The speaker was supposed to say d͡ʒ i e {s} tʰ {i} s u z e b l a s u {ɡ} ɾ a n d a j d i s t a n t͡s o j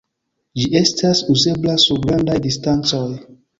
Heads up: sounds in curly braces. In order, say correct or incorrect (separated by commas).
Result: correct, incorrect, correct